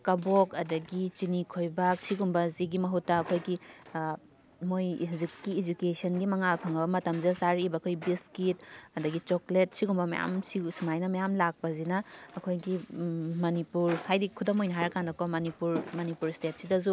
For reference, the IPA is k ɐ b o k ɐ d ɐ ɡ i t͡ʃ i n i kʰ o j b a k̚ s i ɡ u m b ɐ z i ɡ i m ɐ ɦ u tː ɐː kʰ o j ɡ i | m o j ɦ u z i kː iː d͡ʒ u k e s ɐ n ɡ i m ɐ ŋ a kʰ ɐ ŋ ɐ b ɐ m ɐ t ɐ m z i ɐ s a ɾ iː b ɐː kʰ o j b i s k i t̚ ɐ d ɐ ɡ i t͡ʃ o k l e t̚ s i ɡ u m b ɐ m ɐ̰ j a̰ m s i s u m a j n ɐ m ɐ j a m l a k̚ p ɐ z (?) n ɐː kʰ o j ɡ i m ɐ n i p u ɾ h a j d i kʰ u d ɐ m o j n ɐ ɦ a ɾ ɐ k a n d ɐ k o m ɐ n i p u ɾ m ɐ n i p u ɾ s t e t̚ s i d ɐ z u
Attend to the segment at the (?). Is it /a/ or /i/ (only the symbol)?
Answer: i